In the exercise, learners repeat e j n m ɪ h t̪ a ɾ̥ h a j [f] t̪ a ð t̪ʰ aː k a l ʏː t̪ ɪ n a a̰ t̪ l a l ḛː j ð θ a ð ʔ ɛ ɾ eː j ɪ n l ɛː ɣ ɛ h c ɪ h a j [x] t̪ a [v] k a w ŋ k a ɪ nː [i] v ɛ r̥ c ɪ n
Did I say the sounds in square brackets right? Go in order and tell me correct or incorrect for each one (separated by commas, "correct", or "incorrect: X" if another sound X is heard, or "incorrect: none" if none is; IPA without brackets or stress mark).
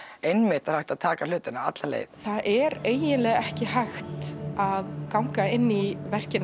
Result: incorrect: h, correct, incorrect: ð, correct